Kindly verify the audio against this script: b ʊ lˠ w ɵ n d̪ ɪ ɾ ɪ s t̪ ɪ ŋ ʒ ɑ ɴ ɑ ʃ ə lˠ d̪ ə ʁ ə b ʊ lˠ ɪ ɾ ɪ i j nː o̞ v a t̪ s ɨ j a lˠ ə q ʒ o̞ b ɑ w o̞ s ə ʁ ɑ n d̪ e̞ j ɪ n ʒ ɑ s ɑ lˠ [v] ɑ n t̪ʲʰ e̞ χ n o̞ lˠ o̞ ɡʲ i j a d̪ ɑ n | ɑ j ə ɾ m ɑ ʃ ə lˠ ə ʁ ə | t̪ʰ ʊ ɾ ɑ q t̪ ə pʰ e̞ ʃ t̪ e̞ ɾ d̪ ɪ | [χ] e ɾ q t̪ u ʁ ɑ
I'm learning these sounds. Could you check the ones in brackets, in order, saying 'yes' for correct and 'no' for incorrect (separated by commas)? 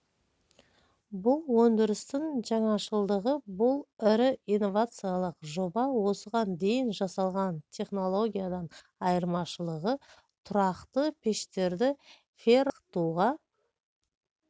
no, no